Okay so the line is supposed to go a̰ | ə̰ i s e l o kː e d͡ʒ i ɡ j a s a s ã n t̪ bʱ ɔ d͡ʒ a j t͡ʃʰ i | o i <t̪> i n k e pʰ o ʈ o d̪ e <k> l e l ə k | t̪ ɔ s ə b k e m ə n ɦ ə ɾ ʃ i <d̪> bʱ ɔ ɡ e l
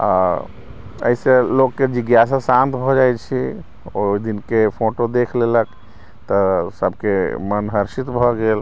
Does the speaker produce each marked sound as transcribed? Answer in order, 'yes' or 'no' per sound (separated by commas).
no, no, no